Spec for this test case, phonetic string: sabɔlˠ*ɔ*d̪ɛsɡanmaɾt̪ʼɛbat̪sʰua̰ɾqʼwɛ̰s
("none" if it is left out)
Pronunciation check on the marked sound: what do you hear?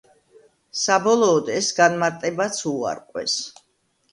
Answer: ɔː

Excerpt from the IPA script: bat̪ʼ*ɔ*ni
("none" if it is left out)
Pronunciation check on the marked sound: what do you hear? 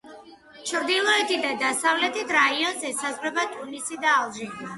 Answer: u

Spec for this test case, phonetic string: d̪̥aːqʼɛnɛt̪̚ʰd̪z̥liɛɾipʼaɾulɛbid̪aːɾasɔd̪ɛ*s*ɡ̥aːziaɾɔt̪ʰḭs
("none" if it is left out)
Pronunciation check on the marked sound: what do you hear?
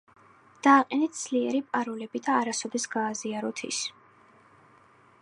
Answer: s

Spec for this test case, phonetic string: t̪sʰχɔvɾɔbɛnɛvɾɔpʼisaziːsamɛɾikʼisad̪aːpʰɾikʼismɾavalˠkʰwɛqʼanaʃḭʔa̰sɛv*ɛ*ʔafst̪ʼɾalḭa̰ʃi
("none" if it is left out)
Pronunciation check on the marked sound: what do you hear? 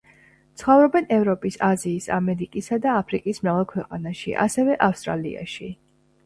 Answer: ɛ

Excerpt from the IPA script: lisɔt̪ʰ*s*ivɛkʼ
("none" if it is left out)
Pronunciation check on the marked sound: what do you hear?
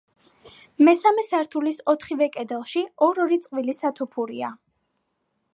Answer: χ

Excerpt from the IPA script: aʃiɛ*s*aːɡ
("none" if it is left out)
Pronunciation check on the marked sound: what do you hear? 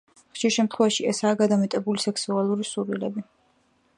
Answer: s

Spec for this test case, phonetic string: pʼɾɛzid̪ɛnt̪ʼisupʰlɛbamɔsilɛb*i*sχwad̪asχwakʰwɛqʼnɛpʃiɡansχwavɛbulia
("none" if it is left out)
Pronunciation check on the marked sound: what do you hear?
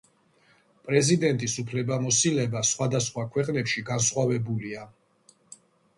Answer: a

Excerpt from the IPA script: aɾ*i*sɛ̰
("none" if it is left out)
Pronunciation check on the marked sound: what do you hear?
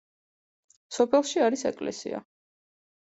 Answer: i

